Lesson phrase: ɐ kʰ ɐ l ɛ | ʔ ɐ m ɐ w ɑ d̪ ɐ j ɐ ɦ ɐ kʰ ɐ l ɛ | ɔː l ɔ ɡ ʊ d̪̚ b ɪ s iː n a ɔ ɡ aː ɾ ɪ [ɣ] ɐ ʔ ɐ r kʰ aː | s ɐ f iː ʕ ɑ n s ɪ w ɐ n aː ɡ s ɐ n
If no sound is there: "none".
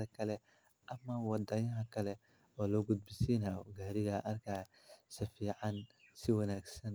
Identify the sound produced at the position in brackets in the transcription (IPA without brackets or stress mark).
ɣ